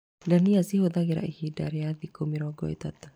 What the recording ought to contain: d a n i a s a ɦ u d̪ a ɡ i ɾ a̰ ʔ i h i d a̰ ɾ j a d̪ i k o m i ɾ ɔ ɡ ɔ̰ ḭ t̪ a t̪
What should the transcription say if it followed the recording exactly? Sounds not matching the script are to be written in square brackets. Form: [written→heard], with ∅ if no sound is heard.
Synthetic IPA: d a n i a s [a→i] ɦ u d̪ a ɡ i ɾ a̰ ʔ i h i d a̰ ɾ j a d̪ i k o m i ɾ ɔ ɡ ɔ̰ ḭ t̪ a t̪